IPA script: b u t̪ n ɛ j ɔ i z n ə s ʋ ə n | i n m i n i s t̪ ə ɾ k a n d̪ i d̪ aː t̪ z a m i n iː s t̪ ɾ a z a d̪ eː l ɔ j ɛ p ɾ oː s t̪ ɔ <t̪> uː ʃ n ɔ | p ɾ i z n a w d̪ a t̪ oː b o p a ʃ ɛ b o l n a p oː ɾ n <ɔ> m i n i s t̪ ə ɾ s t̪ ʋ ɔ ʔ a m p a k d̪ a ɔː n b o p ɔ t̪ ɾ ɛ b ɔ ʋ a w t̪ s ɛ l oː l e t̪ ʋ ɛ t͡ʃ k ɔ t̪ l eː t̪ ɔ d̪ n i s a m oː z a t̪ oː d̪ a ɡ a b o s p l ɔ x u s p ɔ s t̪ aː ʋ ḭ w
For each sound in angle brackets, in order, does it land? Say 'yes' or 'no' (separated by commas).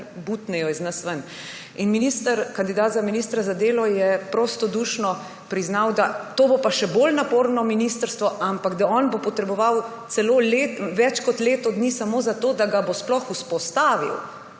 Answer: no, yes